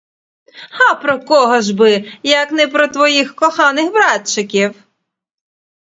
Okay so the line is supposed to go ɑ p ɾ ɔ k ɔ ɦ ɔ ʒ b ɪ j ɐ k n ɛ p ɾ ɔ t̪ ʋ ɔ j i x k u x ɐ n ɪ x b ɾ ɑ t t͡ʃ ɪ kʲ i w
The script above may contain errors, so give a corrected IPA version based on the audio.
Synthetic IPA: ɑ p ɾ ɔ k ɔ ɦ ɔ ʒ b ɪ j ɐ k n ɛ p ɾ ɔ t̪ ʋ ɔ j i x k ɔ x ɑ n ɪ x b ɾ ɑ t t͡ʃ ɪ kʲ i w